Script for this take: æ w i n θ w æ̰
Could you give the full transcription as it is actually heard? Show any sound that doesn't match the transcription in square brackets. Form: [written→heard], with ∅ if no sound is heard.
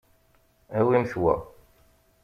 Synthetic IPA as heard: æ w i [n→m] θ w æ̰